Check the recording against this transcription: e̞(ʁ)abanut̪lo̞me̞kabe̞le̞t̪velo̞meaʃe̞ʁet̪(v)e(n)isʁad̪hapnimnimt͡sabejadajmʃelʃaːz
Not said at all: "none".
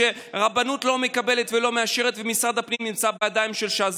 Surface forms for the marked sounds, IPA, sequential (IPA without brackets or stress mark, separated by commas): ʁ, v, m